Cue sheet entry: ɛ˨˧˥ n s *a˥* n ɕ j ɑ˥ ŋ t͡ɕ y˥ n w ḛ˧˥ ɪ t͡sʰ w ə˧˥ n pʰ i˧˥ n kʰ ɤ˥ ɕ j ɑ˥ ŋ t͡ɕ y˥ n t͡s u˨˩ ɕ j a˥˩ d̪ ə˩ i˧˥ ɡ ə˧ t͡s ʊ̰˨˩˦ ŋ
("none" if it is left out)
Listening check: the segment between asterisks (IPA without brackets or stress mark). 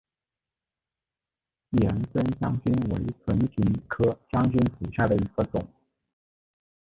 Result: ə˥